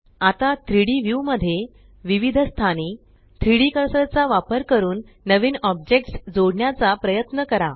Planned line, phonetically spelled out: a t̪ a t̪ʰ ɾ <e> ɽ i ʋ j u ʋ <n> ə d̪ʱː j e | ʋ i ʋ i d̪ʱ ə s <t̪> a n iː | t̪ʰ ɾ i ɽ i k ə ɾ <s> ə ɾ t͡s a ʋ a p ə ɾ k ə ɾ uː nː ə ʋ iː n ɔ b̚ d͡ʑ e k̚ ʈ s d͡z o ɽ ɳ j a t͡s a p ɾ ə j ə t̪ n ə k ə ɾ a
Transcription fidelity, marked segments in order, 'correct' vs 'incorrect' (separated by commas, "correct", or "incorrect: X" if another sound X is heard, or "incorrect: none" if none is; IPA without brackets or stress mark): incorrect: i, incorrect: m, incorrect: t̪ʰ, correct